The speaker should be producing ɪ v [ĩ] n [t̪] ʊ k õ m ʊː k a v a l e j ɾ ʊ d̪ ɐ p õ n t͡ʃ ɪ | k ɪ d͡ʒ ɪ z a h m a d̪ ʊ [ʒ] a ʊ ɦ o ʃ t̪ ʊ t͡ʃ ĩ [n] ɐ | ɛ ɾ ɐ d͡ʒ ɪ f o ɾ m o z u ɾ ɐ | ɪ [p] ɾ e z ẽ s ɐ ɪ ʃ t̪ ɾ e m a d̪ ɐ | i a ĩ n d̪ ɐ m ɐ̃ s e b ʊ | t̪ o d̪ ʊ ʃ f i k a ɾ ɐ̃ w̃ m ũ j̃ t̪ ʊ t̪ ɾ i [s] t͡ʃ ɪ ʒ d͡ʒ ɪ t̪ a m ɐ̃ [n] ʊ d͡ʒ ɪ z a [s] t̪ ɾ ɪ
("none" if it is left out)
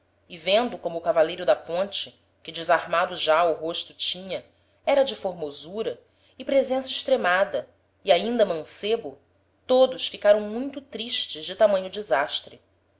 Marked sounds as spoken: ẽ, d̪, ʒ, ɲ, p, ʃ, ɲ, ʃ

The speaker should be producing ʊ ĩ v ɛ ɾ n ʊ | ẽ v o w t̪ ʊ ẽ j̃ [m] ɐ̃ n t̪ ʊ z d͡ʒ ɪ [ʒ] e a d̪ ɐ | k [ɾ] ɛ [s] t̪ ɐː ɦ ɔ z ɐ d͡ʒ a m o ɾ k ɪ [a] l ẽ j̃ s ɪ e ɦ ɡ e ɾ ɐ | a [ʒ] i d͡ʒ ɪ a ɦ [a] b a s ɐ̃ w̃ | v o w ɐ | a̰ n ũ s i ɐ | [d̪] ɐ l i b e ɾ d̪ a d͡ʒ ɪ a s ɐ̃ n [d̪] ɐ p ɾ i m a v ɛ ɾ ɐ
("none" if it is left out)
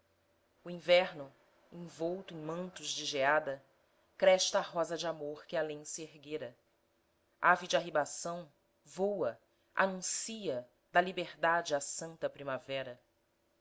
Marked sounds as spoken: m, ʒ, ɾ, ʃ, a, v, i, d̪, t̪

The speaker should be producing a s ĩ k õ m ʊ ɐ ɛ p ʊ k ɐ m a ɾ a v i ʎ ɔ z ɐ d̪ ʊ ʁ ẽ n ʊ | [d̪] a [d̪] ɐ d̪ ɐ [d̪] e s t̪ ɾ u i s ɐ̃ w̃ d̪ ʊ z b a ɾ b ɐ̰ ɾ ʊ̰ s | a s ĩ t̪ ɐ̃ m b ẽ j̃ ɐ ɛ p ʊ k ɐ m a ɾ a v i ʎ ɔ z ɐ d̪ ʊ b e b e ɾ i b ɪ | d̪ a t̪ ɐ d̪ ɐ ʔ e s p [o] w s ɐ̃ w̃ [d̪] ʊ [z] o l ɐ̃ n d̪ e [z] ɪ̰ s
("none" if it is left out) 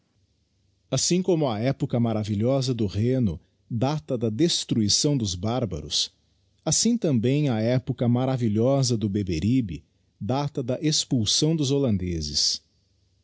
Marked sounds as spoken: d̪, t̪, d̪, u, d̪, z, z

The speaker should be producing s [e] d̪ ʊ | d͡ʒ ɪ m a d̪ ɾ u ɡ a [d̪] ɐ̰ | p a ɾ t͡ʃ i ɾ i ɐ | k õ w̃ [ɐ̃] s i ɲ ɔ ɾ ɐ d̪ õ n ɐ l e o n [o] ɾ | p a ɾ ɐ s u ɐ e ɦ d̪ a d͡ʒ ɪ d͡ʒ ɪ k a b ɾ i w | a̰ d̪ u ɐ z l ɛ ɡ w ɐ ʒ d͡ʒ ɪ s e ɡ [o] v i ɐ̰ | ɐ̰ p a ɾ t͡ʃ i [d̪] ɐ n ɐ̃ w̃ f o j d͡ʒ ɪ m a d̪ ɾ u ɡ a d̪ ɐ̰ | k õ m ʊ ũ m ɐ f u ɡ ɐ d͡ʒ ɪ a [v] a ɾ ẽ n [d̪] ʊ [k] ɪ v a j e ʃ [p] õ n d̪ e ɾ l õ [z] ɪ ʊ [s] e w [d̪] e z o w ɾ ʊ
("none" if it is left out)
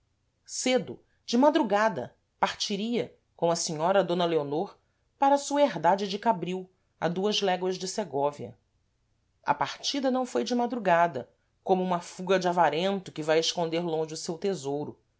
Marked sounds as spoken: e, d̪, ɐ, o, ɔ, d̪, v, t̪, k, k, ʒ, s, t̪

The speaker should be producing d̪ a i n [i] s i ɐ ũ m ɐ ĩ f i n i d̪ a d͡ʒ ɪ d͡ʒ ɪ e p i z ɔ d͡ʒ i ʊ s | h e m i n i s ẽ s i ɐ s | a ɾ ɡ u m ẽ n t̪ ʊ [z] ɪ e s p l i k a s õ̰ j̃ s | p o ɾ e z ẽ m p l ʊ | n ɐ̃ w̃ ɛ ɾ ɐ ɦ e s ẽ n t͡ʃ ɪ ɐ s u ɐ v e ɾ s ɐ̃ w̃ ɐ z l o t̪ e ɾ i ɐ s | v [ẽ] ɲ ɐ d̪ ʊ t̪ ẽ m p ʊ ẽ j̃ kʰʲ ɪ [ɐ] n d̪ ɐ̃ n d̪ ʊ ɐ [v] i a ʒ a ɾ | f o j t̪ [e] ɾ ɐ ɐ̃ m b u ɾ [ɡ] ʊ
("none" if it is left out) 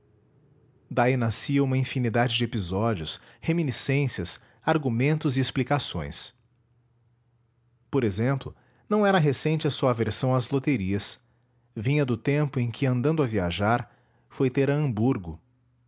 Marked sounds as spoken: a, z, ĩ, ɐ̃, v, e, ɡ

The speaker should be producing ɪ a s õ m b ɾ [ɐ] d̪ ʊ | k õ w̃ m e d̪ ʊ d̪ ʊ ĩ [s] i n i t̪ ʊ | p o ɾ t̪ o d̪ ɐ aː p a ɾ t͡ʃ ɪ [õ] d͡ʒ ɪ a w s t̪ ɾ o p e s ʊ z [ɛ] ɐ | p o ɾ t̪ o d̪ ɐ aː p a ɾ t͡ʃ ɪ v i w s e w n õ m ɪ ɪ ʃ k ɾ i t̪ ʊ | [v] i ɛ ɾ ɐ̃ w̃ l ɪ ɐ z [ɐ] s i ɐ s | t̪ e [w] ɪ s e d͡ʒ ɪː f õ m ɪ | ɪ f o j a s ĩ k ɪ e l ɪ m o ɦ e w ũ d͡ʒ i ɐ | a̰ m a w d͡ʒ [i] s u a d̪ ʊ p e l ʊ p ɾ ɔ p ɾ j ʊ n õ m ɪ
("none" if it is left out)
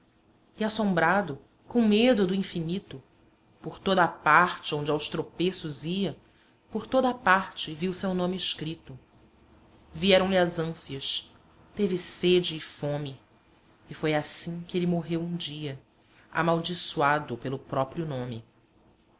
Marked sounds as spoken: a, f, õ, i, v, ɐ̃, v, i

